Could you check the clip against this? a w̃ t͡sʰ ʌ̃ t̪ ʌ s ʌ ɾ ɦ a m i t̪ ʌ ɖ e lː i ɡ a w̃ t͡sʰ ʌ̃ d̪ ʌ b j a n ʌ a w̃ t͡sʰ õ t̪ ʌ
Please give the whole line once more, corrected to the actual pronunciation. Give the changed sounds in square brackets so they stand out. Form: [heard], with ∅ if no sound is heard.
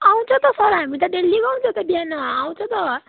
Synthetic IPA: a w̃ t͡sʰ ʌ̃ t̪ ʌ s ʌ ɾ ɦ a m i t̪ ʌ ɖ e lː i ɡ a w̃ t͡sʰ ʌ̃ [t̪] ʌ b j a n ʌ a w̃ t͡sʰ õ t̪ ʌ